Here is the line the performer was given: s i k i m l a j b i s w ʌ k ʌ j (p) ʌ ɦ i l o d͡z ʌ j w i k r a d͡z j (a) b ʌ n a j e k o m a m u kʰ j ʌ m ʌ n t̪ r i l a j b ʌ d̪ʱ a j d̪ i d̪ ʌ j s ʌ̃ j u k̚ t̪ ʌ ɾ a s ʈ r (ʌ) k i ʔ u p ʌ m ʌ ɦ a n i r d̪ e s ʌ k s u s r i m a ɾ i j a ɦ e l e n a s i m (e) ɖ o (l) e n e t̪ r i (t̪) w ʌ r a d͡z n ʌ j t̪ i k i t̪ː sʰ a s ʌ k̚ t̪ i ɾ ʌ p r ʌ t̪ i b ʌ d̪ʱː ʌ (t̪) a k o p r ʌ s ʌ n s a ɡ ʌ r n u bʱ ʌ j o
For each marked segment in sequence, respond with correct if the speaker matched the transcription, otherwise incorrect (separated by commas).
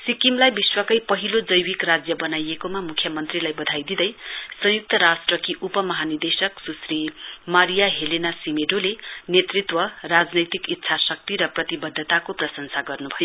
correct, incorrect, correct, correct, correct, correct, correct